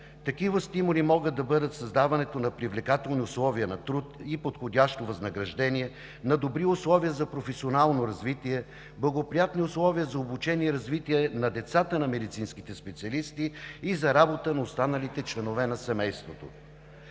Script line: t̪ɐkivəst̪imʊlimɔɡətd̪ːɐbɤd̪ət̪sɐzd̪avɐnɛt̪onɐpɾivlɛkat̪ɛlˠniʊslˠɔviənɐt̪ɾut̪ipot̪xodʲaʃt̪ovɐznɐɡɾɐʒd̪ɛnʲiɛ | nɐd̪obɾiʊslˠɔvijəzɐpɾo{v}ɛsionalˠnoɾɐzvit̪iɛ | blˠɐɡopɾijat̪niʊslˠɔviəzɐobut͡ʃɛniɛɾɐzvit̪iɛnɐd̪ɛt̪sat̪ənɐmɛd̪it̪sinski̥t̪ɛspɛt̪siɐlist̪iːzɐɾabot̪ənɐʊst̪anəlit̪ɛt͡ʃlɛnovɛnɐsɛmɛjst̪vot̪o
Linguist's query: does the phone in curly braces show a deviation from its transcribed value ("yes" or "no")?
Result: yes